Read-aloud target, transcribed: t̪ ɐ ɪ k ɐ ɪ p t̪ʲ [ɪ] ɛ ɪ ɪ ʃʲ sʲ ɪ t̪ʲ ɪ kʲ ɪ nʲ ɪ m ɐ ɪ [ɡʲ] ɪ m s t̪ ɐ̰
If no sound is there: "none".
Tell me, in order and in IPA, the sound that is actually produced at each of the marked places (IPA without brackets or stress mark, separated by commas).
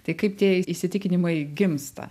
i, ɡʲ